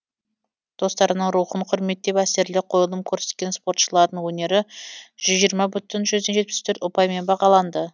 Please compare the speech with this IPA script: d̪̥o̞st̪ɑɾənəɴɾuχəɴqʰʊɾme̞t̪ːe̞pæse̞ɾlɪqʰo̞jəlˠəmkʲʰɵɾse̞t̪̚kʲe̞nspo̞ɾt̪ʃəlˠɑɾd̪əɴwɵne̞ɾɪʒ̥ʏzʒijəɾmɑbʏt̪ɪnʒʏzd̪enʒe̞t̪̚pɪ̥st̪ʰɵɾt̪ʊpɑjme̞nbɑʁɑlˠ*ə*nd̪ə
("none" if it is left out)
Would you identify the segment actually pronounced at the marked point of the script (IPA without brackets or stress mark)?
ɑ